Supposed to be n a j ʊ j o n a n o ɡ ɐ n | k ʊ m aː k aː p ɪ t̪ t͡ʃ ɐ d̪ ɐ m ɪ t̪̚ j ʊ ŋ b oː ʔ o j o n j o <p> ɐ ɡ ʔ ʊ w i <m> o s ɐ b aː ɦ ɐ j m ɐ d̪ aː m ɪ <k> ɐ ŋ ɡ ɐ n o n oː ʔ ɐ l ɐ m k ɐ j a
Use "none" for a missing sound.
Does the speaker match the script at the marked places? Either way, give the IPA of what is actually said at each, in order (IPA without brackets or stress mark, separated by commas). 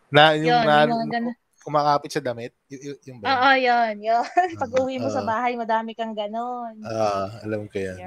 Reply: p, m, k